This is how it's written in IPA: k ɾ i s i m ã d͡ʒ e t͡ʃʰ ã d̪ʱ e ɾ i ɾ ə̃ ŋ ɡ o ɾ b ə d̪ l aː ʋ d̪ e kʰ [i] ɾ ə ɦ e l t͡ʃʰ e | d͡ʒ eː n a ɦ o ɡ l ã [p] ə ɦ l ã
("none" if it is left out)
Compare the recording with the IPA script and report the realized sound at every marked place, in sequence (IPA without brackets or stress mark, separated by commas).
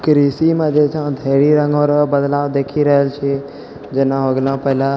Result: i, p